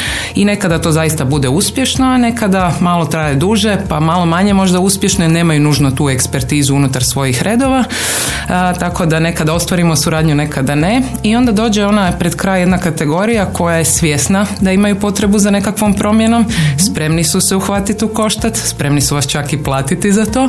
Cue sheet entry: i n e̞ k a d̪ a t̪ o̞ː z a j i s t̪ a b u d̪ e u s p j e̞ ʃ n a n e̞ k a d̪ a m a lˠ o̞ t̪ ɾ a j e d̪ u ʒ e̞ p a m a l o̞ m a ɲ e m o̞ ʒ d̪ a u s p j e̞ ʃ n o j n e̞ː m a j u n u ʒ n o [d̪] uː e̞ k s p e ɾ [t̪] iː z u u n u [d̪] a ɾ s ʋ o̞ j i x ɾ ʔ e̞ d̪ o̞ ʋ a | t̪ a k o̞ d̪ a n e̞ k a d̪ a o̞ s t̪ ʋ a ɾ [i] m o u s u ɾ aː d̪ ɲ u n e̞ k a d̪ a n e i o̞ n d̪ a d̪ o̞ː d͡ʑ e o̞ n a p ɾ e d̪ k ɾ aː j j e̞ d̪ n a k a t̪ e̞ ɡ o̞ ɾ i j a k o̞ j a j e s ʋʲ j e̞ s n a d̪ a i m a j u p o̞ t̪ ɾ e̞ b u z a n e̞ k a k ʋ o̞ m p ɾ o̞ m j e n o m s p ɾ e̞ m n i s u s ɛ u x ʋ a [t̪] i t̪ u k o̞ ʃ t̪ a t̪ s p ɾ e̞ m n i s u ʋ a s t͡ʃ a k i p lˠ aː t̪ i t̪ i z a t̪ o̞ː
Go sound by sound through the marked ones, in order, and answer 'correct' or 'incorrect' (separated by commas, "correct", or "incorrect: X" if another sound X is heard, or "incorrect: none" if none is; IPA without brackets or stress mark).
incorrect: t̪, correct, incorrect: t̪, correct, correct